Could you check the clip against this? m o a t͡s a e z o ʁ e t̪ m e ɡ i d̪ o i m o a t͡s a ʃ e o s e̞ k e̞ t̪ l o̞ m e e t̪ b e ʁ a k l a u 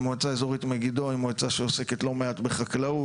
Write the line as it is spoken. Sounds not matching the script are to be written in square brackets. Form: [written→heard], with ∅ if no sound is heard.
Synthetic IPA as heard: m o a t͡s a e z o ʁ [e→i] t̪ m e ɡ i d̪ o i m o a t͡s a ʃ e o s e̞ k e̞ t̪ l o̞ m e [e→a] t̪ b e [ʁ→χ] a k l a u

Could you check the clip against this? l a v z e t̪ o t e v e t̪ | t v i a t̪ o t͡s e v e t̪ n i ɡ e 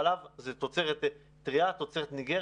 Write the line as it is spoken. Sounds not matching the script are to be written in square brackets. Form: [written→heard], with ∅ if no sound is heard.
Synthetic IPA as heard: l a v z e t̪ o [t→t͡s] e [v→ʁ] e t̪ | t [v→ʁ] i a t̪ o t͡s e [v→ʁ] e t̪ n i ɡ e

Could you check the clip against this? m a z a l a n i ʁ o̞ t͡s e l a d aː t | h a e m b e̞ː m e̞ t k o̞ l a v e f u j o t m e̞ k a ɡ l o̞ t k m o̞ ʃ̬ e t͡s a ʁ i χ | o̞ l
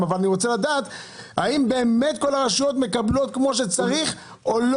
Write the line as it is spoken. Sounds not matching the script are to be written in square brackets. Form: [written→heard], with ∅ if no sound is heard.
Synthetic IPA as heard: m a [z→v] a l a n i ʁ o̞ t͡s e l a d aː t | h a [e→i] m b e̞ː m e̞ t k o̞ l a [v→ʁ] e [f→ʃ] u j o t m e̞ k a [ɡ→b] l o̞ t k m o̞ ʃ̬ e t͡s a ʁ i χ | o̞ l

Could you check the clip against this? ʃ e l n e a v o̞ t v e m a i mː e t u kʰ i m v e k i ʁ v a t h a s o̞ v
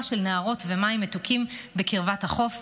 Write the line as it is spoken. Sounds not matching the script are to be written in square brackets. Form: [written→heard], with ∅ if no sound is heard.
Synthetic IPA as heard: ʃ e l n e a [v→ʁ] o̞ t v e m a i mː e t u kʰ i m [v→b] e k i ʁ v a t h a [s→χ] o̞ [v→f]

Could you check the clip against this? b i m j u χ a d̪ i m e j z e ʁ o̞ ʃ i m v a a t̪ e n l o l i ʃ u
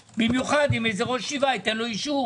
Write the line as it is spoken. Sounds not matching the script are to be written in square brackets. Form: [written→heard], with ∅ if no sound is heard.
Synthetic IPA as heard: b i m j u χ a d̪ i m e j z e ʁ o̞ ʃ i [m→∅] v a [a→i] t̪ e n l o [l→∅] i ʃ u

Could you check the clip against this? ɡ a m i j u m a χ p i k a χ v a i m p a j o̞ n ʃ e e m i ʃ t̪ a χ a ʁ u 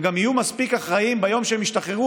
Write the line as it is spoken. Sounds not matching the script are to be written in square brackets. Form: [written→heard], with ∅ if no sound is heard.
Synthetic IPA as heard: ɡ a m i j u m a [χ→s] p i k a χ [v→ʁ] a i m [p→b] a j o̞ [n→m] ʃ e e m i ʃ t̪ a χ [a→e] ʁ u

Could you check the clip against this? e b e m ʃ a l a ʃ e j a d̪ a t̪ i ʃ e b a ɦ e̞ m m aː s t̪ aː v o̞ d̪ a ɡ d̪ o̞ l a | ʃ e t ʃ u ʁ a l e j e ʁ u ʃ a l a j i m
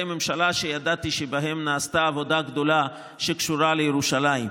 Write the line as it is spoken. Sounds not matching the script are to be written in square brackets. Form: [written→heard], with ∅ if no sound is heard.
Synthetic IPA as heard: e [b→m] e m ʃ a l a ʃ e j a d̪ a t̪ i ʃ e b a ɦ e̞ m [m→n] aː s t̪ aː v o̞ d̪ a ɡ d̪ o̞ l a | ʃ e [t→k] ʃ u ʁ a l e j e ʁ u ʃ a l a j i m

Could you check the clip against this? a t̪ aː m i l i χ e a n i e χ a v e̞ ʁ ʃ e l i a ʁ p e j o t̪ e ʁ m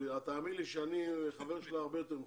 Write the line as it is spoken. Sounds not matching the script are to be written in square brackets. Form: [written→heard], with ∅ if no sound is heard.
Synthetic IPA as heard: a t̪ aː m i l i [χ→ʃ] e a n i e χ a v e̞ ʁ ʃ e l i a ʁ [p→b] e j o t̪ e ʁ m

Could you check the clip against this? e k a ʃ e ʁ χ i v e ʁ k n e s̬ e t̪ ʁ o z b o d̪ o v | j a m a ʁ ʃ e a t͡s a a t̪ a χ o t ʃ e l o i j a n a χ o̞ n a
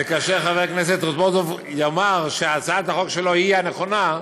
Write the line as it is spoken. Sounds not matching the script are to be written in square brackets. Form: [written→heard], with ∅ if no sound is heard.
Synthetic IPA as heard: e k a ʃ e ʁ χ [i→a] v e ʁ k n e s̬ e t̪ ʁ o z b o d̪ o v | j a m a ʁ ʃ e a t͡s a a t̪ a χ o [t→k] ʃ e l o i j a n [a→e] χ o̞ n a

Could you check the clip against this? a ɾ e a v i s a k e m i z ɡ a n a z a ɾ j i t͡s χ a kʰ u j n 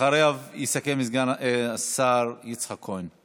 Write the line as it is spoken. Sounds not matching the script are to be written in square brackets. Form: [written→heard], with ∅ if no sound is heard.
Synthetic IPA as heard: a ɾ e a v i s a k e m i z ɡ a n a [z→s] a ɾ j i t͡s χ a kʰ [u→o] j n

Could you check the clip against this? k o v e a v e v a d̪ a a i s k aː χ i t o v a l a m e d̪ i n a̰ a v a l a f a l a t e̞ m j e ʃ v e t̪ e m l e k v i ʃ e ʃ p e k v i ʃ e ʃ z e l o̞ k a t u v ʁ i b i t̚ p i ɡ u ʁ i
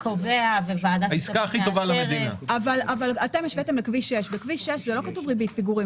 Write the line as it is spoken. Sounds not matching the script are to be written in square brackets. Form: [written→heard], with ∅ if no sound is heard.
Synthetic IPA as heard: k o v e a v e v a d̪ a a i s k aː χ i t o v a l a m e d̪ i n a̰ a v a l a [f→v] a l a t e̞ m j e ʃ v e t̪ e m l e k v i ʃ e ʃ [p→b] e k v i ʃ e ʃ z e l o̞ k a t u v ʁ i b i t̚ p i ɡ u ʁ i

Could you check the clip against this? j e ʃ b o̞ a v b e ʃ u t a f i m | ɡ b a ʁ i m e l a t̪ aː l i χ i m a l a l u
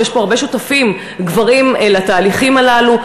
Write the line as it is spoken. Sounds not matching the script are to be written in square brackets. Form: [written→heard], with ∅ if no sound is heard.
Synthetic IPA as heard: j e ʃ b o̞ a [v→ʁ] b e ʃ u t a f i m | ɡ [b→v] a ʁ i m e l a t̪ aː l i χ i m a l a l u

